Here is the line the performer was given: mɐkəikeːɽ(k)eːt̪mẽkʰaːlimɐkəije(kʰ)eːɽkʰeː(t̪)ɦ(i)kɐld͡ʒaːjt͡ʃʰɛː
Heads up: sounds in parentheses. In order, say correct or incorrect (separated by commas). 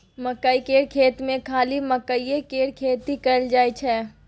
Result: incorrect, incorrect, correct, correct